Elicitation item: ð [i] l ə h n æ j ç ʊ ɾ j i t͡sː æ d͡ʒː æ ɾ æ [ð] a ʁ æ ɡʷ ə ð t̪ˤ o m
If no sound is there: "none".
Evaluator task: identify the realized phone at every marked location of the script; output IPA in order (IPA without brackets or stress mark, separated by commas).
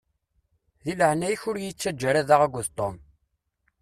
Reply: i, ð